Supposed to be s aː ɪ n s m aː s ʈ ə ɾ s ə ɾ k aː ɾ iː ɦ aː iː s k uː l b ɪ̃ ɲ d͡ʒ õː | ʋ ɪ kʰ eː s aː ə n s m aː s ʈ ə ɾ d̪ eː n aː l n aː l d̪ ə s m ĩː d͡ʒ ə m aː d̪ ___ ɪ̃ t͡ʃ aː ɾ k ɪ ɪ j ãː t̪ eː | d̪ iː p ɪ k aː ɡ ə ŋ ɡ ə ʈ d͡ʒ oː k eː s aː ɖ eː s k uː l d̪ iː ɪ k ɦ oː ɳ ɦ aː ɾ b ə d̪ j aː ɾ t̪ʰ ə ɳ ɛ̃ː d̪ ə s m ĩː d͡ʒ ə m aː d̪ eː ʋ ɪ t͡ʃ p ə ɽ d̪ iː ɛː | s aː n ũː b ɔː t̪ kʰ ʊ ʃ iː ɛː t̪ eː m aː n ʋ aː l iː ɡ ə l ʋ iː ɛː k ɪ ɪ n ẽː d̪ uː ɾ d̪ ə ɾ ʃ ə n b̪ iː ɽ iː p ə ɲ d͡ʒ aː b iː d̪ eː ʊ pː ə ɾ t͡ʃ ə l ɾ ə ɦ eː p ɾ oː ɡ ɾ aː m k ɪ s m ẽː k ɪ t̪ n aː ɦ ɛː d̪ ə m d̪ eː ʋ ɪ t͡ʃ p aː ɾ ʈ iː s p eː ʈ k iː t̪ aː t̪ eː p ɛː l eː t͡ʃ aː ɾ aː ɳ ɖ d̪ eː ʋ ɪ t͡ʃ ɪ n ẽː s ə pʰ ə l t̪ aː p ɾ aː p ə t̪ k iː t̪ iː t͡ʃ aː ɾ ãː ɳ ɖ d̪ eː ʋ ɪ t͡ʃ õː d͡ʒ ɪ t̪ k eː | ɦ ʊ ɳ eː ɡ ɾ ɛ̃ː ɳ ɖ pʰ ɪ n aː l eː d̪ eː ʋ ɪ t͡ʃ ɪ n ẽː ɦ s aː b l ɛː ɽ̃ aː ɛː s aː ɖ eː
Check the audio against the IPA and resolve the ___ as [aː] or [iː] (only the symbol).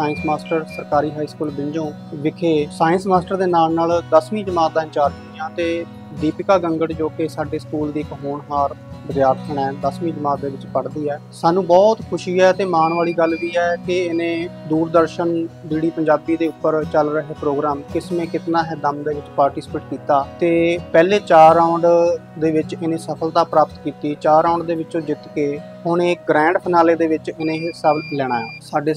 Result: aː